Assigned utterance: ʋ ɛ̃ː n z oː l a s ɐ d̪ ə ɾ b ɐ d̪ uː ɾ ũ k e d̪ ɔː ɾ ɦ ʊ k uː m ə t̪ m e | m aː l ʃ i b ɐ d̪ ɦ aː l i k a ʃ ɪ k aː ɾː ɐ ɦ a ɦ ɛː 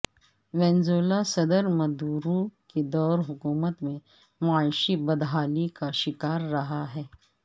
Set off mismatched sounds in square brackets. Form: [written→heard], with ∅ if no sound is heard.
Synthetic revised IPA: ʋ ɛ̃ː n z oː l a s ɐ d̪ ə ɾ [b→m] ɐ d̪ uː ɾ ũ k e d̪ ɔː ɾ ɦ ʊ k uː m ə t̪ m [e→ẽ] | m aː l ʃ i b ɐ d̪ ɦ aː l i k a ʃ ɪ k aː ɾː ɐ ɦ a ɦ ɛː